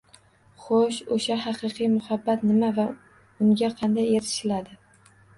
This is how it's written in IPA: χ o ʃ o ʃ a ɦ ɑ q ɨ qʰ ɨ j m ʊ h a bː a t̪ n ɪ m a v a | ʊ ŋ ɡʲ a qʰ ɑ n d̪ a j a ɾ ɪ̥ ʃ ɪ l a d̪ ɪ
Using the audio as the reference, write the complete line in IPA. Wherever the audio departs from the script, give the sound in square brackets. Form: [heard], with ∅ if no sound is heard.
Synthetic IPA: χ o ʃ o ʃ a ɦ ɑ q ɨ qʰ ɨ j m ʊ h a bː a t̪ n ɪ m a v a | ʊ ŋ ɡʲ a qʰ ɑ n d̪ a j [e] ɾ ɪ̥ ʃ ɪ l a d̪ ɪ